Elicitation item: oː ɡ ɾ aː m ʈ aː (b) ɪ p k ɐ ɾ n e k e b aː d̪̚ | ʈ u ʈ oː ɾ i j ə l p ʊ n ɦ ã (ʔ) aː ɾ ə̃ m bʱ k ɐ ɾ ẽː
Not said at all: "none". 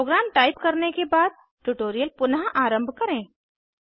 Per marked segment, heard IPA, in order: none, ʔ

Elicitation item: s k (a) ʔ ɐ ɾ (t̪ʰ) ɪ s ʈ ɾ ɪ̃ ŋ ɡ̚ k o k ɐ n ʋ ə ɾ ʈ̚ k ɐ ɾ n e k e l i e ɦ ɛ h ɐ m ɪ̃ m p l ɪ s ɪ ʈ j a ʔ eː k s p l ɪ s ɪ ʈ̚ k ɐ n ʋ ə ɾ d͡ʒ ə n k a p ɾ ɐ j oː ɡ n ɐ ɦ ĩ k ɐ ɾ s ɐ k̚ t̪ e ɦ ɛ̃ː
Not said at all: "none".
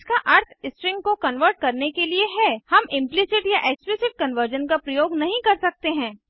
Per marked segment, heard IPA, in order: a, t̪ʰ

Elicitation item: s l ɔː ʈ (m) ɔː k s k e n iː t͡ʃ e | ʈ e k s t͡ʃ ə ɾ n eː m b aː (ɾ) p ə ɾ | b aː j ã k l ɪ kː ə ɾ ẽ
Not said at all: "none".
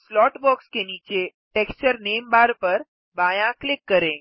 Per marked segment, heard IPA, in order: b, ɾ

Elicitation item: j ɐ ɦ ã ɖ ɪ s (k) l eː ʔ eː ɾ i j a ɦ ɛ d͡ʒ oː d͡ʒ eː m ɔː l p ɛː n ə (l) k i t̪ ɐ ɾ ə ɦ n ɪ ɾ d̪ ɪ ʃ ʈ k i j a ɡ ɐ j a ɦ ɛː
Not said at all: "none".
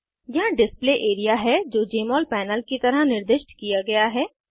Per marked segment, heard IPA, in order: p, l

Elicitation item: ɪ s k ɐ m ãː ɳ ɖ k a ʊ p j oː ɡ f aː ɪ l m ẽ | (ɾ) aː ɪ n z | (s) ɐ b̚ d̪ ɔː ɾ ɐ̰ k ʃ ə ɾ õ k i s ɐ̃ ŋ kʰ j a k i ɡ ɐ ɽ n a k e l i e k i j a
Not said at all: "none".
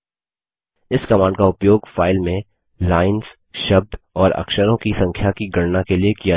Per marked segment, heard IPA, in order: l, ʃ

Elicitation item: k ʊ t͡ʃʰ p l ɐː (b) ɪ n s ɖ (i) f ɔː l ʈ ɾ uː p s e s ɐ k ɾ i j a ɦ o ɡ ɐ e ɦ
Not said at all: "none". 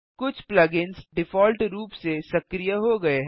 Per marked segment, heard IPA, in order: ɡ, ɪ

